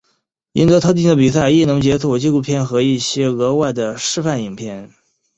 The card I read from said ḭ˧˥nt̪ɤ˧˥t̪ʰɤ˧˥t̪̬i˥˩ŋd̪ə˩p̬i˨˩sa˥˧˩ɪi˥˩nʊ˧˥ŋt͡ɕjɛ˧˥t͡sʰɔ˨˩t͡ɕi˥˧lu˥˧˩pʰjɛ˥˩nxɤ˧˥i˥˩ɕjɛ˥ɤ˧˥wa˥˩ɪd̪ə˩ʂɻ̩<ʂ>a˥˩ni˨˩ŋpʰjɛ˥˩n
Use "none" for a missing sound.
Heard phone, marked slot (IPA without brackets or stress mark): f